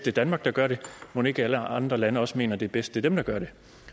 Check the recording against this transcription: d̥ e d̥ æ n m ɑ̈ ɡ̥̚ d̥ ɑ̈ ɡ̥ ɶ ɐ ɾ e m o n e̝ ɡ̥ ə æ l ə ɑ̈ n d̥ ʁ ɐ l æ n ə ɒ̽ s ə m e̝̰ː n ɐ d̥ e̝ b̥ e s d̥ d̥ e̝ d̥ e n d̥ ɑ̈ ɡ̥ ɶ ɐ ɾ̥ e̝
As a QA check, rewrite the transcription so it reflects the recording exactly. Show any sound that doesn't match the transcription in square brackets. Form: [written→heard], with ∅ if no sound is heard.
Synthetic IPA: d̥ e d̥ æ n m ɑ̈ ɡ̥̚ d̥ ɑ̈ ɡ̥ ɶ ɐ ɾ e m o n e̝ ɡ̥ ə æ l ə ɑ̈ n d̥ ʁ ɐ l æ n ə ɒ̽ s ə m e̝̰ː n ɐ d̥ e̝ b̥ e s d̥ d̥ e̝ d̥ e [n→m] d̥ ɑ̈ ɡ̥ ɶ ɐ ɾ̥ e̝